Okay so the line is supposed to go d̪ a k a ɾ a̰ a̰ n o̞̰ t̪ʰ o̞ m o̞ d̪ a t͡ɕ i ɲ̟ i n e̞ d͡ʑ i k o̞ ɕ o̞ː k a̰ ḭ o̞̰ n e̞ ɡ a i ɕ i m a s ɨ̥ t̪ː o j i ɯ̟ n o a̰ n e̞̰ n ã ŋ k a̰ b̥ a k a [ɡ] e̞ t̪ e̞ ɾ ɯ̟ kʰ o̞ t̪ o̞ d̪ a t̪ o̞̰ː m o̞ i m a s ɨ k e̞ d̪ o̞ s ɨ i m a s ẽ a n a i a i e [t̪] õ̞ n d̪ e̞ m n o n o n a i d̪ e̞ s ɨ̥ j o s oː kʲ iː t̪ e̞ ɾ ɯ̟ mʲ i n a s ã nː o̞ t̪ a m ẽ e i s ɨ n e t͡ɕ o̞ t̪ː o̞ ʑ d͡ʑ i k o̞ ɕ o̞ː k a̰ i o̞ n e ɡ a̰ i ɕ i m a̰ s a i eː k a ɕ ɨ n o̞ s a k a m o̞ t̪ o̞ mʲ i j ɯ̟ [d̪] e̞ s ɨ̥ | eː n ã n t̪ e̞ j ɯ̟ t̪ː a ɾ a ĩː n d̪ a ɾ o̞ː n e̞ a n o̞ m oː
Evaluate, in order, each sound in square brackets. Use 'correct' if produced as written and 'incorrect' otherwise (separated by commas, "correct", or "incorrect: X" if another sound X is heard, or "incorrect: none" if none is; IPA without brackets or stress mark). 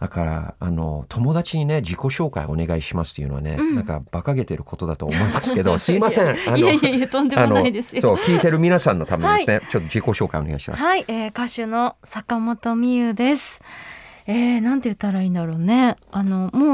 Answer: correct, correct, correct